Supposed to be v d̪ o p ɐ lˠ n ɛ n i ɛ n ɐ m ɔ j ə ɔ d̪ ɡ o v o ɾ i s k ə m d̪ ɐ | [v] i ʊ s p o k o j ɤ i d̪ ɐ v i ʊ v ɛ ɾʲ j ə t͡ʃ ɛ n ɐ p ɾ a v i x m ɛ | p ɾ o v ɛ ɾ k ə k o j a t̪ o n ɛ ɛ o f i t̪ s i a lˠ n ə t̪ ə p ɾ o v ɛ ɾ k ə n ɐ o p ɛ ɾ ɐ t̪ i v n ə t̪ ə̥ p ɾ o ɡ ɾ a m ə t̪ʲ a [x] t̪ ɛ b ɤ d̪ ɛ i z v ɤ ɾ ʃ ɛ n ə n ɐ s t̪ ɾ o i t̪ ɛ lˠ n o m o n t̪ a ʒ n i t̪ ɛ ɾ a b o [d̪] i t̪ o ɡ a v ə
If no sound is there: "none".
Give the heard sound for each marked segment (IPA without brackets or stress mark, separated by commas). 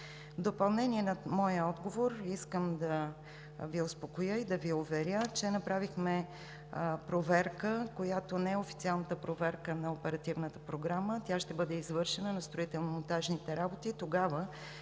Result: v, ʃ, t̪